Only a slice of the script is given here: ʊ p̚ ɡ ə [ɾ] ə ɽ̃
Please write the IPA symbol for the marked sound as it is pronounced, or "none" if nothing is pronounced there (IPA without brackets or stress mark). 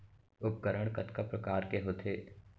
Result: ɾ